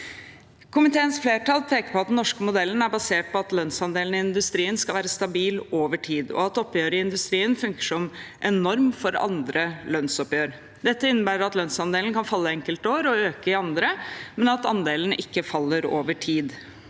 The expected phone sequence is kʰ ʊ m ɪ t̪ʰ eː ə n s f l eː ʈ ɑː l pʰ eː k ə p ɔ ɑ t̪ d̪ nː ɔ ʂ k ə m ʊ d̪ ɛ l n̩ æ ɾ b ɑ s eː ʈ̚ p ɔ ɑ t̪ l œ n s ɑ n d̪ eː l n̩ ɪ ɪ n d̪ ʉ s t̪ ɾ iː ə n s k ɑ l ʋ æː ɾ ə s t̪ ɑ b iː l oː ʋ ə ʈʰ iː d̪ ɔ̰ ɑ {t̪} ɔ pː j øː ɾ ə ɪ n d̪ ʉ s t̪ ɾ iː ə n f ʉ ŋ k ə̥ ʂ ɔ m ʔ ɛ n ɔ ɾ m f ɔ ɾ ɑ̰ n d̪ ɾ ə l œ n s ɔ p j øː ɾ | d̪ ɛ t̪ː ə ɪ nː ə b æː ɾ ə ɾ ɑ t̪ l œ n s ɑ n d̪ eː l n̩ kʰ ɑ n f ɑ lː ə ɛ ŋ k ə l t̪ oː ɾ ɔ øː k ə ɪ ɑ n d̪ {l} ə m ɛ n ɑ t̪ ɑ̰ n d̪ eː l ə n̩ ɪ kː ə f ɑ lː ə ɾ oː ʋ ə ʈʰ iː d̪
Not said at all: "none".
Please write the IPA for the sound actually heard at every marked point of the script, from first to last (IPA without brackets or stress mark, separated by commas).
t̪, ɾ